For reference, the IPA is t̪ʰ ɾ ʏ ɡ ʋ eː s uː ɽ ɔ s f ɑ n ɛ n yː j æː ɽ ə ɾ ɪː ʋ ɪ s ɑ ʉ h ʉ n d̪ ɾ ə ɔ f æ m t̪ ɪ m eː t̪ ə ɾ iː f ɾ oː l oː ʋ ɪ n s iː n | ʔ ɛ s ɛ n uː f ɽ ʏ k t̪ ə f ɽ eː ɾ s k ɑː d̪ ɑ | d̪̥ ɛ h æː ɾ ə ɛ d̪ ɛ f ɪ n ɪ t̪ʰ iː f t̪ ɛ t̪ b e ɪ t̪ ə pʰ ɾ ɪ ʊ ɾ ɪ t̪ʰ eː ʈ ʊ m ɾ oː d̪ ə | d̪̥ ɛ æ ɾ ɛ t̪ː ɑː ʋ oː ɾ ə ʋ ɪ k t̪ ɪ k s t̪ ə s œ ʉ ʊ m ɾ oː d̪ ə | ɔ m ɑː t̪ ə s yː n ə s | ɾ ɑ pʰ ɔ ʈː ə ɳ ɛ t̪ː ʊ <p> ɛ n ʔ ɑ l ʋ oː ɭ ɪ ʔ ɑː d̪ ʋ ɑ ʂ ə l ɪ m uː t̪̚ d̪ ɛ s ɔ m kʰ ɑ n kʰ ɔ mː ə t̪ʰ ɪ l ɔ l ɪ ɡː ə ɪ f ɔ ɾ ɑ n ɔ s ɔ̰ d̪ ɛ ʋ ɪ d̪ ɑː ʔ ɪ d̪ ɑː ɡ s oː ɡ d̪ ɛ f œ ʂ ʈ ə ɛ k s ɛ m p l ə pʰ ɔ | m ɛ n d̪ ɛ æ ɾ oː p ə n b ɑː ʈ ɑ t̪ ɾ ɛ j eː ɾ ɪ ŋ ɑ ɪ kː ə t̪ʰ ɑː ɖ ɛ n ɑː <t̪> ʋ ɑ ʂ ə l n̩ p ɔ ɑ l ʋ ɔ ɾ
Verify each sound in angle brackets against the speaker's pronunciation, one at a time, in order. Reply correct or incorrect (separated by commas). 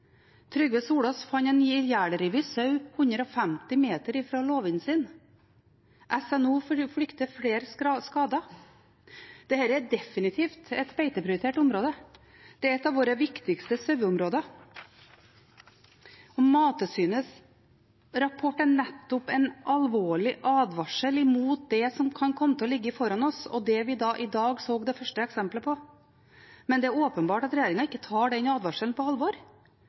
correct, incorrect